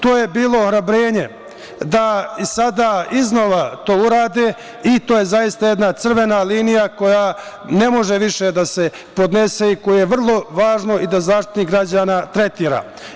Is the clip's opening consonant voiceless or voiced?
voiceless